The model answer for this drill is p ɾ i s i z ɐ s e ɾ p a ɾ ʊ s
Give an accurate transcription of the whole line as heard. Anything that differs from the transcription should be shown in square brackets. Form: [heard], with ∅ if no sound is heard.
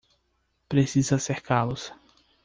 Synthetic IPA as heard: p ɾ [e] s i z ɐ s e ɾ [k] a [l] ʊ s

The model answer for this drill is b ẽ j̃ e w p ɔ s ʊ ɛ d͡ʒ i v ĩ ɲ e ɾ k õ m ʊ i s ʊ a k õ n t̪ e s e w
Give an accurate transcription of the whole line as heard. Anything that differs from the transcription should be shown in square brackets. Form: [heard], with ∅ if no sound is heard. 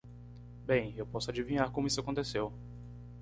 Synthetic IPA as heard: b ẽ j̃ e w p ɔ s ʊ [a] d͡ʒ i v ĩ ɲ [a] ɾ k õ m ʊ i s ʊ a k õ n t̪ e s e w

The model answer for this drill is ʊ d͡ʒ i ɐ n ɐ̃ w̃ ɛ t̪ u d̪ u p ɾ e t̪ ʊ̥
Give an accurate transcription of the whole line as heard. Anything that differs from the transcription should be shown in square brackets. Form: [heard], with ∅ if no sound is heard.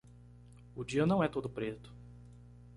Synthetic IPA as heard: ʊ d͡ʒ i ɐ n ɐ̃ w̃ ɛ t̪ [o] d̪ [ʊ] p ɾ e t̪ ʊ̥

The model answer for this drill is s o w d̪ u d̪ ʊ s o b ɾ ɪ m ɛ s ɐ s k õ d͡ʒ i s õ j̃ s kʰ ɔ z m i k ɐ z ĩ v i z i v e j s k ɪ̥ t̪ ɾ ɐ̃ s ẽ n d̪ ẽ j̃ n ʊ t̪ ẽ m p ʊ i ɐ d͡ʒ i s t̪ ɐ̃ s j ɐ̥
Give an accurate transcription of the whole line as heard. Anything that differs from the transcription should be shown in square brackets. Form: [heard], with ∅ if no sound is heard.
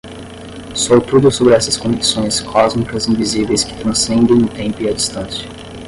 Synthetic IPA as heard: s o w [t̪] u d̪ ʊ s o b ɾ ɪ [∅] ɛ s ɐ s k õ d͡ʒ i s õ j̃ s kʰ ɔ z m i k ɐ z ĩ v i z i v e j s k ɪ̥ t̪ ɾ ɐ̃ s ẽ n d̪ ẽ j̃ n ʊ t̪ ẽ m p ʊ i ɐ d͡ʒ i s t̪ ɐ̃ s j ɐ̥

